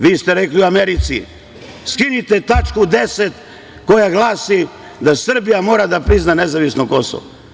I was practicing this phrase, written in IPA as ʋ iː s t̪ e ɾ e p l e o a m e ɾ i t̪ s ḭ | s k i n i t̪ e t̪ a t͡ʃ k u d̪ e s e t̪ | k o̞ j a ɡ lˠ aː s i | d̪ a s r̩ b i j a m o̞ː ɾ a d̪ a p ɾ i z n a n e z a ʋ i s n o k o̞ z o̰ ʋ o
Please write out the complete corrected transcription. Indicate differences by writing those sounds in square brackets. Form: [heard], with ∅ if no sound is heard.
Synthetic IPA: ʋ iː s t̪ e ɾ e [k] l [i] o a m e ɾ i t̪ s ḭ | s k i n i t̪ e t̪ a t͡ʃ k u d̪ e s e t̪ | k o̞ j a ɡ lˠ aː s i | d̪ a s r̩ b i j a m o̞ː ɾ a d̪ a p ɾ i z n a n e z a ʋ i s n o k o̞ [s] o̰ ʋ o

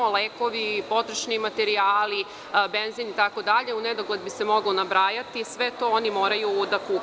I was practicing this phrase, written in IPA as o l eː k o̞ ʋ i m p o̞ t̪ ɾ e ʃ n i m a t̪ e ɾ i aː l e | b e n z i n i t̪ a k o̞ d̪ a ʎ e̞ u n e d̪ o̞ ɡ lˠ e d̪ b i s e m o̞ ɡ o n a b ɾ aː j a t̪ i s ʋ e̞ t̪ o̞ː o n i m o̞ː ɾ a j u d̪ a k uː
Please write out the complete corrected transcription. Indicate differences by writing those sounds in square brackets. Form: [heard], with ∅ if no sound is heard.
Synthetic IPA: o l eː k o̞ ʋ i [∅] p o̞ t̪ ɾ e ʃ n i m a t̪ e ɾ i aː l [i] | b e n z i n i t̪ a k o̞ d̪ a ʎ e̞ u n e d̪ o̞ ɡ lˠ e d̪ b i s e m o̞ ɡ o n a b ɾ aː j a t̪ i s ʋ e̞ t̪ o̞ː o n i m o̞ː ɾ a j u d̪ a k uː

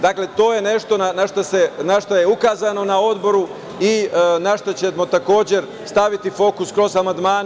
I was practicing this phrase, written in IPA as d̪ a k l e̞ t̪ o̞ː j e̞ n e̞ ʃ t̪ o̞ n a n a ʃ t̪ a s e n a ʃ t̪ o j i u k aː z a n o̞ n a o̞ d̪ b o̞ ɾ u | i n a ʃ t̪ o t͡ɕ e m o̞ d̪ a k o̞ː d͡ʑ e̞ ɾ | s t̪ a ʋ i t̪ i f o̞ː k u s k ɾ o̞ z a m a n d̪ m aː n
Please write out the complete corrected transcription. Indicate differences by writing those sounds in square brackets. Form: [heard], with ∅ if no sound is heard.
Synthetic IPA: d̪ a k l e̞ t̪ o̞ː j e̞ n e̞ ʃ t̪ o̞ n a n a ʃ t̪ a s e n a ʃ t̪ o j [e] u k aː z a n o̞ n a o̞ d̪ b o̞ ɾ u | i n a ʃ t̪ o t͡ɕ e m o̞ [t̪] a k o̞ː d͡ʑ e̞ ɾ | s t̪ a ʋ i t̪ i f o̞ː k u s k ɾ o̞ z a m a n d̪ m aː n

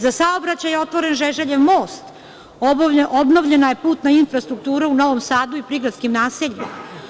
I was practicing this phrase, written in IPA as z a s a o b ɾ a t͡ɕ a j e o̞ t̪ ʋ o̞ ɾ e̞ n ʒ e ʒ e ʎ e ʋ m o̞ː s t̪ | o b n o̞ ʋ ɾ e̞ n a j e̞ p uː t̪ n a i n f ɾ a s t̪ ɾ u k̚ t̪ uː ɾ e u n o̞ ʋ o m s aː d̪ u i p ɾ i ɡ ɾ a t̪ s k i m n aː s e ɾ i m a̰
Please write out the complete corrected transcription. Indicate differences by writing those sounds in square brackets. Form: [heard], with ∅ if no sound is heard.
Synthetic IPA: z a s a o b ɾ a t͡ɕ a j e o̞ t̪ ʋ o̞ ɾ e̞ n ʒ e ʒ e ʎ e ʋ m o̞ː s t̪ | o b n o̞ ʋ [ʎ] e̞ n a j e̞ p uː t̪ n a i n f ɾ a s t̪ ɾ u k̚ t̪ uː ɾ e u n o̞ ʋ o m s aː d̪ u i p ɾ i ɡ ɾ a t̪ s k i m n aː s e [ʎ] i m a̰

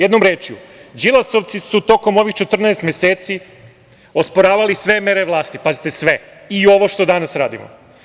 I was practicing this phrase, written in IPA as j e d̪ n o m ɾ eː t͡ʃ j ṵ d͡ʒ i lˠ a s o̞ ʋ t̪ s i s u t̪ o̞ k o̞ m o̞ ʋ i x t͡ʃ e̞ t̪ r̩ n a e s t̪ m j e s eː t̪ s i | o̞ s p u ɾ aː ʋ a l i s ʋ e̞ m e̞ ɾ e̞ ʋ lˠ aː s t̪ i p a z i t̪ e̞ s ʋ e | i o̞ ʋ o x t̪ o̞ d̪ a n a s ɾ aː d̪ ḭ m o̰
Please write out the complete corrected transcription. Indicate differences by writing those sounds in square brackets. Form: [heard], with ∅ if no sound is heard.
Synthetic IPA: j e d̪ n o m ɾ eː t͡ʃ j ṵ d͡ʒ i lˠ a s o̞ ʋ t̪ s i s u t̪ o̞ k o̞ m o̞ ʋ i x t͡ʃ e̞ t̪ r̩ n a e s t̪ m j e s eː t̪ s i | o̞ s p [o] ɾ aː ʋ a l i s ʋ e̞ m e̞ ɾ e̞ ʋ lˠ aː s t̪ i p a z i t̪ e̞ s ʋ e | i o̞ ʋ o [ʃ] t̪ o̞ d̪ a n a s ɾ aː d̪ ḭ m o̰

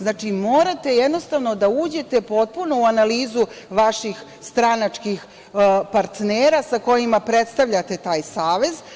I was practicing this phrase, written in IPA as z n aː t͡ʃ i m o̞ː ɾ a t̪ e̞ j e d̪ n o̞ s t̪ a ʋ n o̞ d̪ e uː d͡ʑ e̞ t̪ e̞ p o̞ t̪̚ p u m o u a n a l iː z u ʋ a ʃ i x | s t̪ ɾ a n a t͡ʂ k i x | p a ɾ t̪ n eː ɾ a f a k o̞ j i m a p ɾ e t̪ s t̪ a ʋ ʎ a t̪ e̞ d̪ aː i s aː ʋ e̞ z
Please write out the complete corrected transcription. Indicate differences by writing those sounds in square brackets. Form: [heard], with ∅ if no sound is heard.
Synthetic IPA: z n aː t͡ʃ i m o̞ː ɾ a t̪ e̞ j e d̪ n o̞ s t̪ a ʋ n o̞ d̪ [a] uː d͡ʑ e̞ t̪ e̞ p o̞ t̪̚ p u [n] o u a n a l iː z u ʋ a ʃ i x | s t̪ ɾ a n a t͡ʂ k i x | p a ɾ t̪ n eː ɾ a [s] a k o̞ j i m a p ɾ e t̪ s t̪ a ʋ ʎ a t̪ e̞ [t̪] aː [j] s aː ʋ e̞ z

